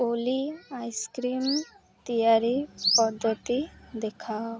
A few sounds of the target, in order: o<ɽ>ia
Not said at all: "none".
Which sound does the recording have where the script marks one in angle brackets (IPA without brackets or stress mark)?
l